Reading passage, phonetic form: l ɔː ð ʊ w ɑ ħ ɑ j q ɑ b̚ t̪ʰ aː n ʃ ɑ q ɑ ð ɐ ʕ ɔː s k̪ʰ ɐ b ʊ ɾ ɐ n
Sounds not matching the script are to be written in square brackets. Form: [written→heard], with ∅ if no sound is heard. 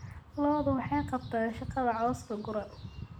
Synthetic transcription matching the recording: l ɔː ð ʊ w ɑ ħ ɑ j q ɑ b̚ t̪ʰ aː n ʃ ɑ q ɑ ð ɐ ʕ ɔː s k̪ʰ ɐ [b→ɡ] ʊ ɾ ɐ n

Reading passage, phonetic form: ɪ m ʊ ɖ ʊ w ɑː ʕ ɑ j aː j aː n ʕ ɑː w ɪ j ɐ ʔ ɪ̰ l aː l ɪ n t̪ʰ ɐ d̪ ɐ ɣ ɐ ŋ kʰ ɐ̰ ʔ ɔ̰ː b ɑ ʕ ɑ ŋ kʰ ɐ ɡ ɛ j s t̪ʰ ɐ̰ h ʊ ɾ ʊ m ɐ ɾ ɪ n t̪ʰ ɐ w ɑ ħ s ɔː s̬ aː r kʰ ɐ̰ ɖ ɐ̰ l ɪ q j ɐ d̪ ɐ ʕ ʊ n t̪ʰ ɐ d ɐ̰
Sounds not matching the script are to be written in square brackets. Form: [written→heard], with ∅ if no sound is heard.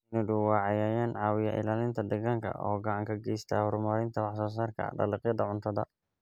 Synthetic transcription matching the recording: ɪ [m→n] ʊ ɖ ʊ w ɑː ʕ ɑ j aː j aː n ʕ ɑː w ɪ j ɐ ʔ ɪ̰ l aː l ɪ n t̪ʰ ɐ d̪ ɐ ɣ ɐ ŋ kʰ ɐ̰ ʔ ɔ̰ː [b→ɡ] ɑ ʕ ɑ ŋ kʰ ɐ ɡ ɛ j s t̪ʰ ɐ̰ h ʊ ɾ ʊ m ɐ ɾ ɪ n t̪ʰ ɐ w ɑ ħ s ɔː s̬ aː r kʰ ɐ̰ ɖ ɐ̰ l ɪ q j ɐ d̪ ɐ ʕ ʊ n t̪ʰ ɐ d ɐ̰

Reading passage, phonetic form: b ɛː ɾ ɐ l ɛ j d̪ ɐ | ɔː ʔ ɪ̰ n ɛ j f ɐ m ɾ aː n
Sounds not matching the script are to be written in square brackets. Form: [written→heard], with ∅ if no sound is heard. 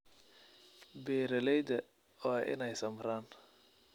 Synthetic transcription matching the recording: b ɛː ɾ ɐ l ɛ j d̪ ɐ | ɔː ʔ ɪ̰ n ɛ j [f→s] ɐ m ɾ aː n

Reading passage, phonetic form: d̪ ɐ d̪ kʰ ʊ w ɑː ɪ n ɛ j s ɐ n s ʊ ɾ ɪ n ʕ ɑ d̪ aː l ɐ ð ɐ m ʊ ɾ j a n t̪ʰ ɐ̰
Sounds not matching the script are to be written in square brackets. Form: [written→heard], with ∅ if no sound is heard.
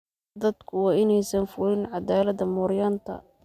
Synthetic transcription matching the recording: d̪ ɐ d̪ kʰ ʊ w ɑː ɪ n ɛ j s ɐ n [s→f] ʊ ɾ ɪ n ʕ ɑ d̪ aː l ɐ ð ɐ m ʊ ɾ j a n t̪ʰ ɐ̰

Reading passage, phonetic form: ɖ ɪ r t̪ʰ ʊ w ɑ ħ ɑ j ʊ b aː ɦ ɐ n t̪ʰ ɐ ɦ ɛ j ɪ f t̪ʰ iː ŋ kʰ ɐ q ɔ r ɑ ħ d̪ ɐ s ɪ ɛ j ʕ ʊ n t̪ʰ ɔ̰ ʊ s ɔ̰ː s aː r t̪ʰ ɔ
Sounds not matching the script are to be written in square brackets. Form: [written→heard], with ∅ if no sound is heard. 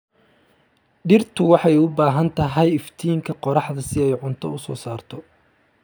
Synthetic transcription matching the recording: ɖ ɪ r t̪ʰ ʊ w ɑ ħ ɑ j ʊ b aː ɦ ɐ n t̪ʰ ɐ ɦ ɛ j ɪ f t̪ʰ iː ŋ kʰ ɐ q ɔ [r→ɾ] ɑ ħ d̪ ɐ s ɪ ɛ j ʕ ʊ n t̪ʰ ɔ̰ ʊ s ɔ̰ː s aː r t̪ʰ ɔ

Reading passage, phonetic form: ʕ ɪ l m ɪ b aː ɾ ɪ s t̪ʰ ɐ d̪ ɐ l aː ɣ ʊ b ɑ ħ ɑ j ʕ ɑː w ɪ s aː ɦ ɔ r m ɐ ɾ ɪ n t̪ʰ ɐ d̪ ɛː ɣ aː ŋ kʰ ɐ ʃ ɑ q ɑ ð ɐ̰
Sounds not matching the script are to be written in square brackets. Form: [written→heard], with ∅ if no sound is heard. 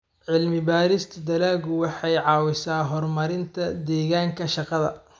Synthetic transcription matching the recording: ʕ ɪ l m ɪ b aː ɾ ɪ s t̪ʰ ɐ d̪ ɐ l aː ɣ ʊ [b→w] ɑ ħ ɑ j ʕ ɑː w ɪ s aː ɦ ɔ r m ɐ ɾ ɪ n t̪ʰ ɐ d̪ ɛː ɣ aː ŋ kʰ ɐ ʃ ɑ q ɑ ð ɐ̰

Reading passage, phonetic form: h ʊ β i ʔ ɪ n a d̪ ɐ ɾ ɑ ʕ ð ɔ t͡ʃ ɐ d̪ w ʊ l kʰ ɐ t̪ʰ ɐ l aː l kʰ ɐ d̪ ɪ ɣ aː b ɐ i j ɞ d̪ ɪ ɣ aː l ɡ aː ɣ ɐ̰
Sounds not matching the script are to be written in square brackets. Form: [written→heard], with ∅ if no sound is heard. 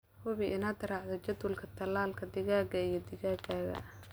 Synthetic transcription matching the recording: h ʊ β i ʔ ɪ n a d̪ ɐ ɾ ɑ ʕ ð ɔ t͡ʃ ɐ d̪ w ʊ l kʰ ɐ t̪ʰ ɐ l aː l kʰ ɐ d̪ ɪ ɣ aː [b→ɡ] ɐ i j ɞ d̪ ɪ ɣ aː [l→∅] ɡ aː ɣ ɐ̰

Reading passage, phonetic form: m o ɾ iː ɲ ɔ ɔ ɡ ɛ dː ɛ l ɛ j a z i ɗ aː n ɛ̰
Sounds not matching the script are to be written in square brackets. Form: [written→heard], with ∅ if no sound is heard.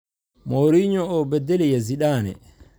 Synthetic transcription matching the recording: m o ɾ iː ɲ ɔ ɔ [ɡ→b] ɛ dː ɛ l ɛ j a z i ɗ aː n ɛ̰

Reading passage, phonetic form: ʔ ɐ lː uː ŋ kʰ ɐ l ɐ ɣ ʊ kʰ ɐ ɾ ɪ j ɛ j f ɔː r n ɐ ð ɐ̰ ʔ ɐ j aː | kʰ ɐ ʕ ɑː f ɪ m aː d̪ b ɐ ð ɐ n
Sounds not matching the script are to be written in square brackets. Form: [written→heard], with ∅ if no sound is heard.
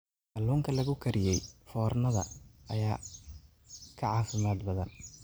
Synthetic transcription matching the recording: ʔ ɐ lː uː ŋ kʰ ɐ l ɐ ɣ ʊ kʰ ɐ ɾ ɪ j ɛ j f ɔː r n ɐ ð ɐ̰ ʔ ɐ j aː | kʰ ɐ ʕ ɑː f ɪ m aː d̪ b ɐ ð ɐ n

